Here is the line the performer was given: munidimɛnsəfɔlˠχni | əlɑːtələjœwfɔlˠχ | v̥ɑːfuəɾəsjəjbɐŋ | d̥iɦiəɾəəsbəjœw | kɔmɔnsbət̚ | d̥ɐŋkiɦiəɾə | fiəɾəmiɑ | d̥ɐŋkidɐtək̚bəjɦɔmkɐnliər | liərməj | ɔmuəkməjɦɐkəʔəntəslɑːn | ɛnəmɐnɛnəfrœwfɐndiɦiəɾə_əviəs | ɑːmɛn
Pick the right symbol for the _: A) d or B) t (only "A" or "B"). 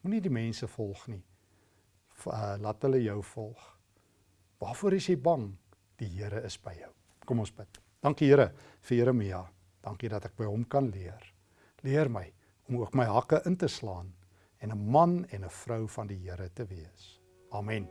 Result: B